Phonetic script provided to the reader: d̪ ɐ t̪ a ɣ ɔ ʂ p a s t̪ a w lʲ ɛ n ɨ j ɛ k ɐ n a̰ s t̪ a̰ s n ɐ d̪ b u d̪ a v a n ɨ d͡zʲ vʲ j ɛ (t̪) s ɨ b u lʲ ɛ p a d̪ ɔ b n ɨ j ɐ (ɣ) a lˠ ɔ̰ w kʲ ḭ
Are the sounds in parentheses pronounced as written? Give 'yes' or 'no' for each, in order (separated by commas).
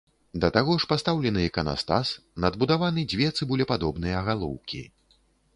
yes, yes